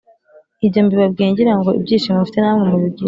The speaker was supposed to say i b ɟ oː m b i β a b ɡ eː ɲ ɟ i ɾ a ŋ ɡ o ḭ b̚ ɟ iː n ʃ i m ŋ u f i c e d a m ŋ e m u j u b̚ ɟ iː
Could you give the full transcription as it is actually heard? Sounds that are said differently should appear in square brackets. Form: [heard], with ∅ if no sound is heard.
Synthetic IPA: i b ɟ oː m b i β a b ɡ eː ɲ ɟ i ɾ a ŋ ɡ o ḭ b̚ ɟ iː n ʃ i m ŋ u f i [t] e [n] a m ŋ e m u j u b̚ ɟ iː

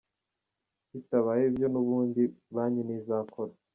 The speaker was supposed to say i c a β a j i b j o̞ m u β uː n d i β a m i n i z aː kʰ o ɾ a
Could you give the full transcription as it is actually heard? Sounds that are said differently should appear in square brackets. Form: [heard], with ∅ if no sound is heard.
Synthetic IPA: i [t] a β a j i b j o̞ [n] u β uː n d i β a [ɲ] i n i z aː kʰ o ɾ a

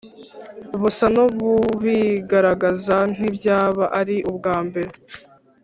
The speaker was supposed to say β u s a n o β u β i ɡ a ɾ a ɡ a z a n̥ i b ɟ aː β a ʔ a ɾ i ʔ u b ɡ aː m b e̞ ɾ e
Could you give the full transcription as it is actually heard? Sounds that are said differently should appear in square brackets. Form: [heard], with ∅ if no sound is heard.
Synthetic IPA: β u s a n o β u β i ɡ a ɾ a ɡ a z a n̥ i b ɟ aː β a ʔ a ɾ i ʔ u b ɡ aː m b e̞ ɾ e

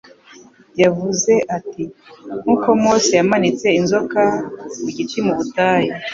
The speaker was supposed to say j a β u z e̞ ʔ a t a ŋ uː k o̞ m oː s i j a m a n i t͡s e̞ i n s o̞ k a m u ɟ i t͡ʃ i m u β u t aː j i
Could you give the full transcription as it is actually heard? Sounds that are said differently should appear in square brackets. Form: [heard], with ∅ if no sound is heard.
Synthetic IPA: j a [v] u z e̞ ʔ a t [i] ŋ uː k o̞ m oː s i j a m a n i t͡s e̞ i n [z] o̞ k a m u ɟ i t͡ʃ i m u β u t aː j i

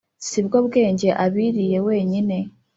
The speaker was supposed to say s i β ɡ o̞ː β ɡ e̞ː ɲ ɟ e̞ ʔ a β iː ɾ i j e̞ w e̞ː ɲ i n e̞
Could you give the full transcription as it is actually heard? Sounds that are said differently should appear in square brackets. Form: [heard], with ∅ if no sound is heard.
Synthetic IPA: s i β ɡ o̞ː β ɡ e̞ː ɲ ɟ e̞ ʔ a β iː ɾ i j e̞ w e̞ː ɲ i n e̞

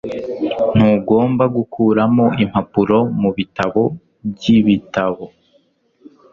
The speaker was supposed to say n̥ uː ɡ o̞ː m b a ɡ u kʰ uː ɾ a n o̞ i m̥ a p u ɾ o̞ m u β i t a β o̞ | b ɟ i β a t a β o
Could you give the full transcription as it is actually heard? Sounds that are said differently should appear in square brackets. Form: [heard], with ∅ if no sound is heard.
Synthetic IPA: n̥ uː ɡ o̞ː m b a ɡ u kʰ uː ɾ a [m] o̞ i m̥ a p u ɾ o̞ m u β i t a β o̞ | b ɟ i β [i] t a β o

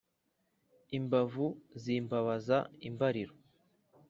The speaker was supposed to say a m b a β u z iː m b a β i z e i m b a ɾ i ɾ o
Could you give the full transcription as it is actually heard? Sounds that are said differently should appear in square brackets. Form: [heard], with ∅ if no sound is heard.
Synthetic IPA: [i] m b a [v] u z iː m b a β [a] z [a] i m b a ɾ i ɾ o

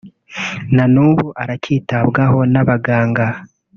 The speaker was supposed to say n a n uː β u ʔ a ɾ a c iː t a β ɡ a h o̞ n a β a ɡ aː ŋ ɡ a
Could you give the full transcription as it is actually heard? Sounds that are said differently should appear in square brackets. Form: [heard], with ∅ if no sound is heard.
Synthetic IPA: n a n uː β u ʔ a ɾ a c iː t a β ɡ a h o̞ n a β a ɡ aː ŋ ɡ a

